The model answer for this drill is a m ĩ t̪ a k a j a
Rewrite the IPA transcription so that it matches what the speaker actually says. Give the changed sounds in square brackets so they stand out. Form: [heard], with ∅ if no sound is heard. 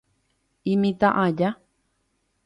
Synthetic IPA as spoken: [i] m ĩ t̪ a [ʔ] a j a